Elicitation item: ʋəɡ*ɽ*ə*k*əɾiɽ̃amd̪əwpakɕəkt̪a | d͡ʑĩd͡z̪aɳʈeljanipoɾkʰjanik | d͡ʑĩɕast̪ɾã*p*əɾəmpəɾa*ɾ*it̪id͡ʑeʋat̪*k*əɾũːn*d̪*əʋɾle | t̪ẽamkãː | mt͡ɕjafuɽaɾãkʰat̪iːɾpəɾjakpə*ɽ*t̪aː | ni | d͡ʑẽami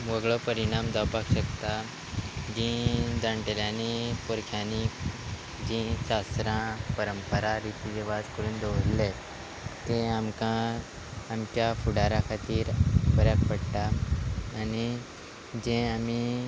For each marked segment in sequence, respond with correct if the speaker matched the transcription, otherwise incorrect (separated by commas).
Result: incorrect, incorrect, correct, correct, correct, correct, correct